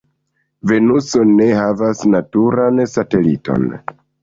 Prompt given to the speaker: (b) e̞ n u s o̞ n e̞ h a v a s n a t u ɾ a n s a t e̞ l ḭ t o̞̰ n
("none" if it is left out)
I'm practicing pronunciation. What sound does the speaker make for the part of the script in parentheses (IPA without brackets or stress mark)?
v